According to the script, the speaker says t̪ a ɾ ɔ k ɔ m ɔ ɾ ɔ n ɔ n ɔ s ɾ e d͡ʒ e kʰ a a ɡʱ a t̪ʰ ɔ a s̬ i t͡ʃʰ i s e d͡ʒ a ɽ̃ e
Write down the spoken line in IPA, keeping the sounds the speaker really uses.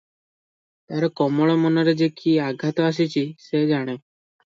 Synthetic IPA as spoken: t̪ a ɾ ɔ k ɔ m ɔ ɭ ɔ m ɔ n ɔ ɾ e d͡ʒ e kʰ i a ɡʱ a t̪ ɔ a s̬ i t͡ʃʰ i s e d͡ʒ a ɽ̃ e